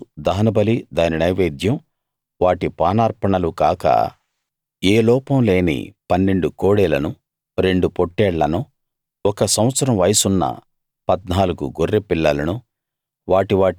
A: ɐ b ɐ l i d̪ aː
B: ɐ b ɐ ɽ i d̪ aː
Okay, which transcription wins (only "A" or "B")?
A